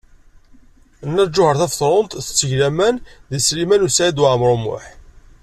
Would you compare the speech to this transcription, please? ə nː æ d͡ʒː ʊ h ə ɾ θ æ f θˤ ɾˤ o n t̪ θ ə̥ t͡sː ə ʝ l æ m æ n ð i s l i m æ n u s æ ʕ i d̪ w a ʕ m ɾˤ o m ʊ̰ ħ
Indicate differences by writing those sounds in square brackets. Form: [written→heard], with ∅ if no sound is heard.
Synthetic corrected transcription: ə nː æ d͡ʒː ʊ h ə ɾ θ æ f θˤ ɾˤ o n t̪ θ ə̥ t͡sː ə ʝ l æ m æ n ð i s l i m æ n u s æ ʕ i d̪ w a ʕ m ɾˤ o m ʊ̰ ħ